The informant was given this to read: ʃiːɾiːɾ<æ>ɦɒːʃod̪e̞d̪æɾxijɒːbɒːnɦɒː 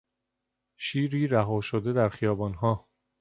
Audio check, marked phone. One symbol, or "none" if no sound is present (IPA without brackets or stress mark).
æ